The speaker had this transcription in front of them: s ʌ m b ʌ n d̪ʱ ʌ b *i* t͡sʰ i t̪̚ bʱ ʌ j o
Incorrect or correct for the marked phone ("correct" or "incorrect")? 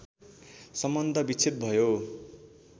correct